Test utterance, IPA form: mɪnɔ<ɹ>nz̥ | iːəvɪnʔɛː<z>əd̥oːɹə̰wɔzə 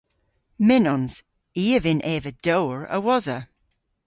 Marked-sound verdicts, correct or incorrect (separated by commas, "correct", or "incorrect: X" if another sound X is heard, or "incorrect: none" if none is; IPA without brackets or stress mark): incorrect: none, incorrect: v